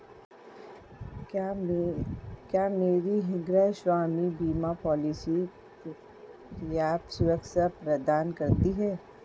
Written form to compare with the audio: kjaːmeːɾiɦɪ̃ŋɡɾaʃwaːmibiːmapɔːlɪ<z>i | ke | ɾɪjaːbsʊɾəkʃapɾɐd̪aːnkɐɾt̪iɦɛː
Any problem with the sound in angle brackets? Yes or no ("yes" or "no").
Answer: yes